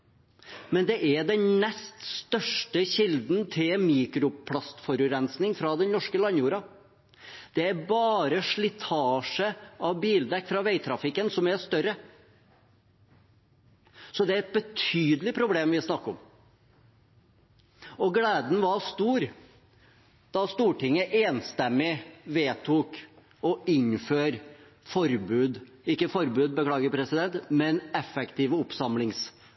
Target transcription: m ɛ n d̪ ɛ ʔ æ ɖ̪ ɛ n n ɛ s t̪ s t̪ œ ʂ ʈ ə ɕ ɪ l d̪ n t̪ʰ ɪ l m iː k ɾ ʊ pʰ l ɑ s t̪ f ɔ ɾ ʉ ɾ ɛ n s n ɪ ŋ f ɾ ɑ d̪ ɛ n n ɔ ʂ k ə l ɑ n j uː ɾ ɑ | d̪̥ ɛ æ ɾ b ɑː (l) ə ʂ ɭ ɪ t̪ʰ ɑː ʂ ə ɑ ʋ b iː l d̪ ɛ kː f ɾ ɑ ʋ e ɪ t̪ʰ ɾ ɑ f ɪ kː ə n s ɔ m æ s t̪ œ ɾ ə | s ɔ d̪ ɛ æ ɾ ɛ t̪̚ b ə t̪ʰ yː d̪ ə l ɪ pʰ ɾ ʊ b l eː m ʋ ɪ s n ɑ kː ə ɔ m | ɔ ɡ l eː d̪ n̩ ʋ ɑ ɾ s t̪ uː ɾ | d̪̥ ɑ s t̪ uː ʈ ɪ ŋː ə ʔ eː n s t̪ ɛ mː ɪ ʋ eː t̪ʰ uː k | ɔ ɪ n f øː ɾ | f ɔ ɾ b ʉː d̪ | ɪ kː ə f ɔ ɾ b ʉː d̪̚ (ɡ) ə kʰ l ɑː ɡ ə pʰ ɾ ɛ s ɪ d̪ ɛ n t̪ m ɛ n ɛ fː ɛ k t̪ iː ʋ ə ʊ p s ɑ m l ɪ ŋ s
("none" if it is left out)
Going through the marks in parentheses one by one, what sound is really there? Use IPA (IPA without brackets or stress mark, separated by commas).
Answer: ɾ, b